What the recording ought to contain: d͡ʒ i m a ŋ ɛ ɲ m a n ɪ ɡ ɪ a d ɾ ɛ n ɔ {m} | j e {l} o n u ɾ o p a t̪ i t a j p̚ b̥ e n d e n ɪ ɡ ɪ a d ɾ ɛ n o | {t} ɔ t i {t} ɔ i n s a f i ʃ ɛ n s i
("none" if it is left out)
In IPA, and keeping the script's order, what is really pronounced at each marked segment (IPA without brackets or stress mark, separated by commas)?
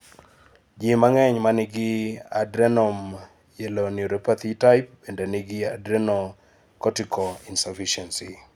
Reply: m, l, k, k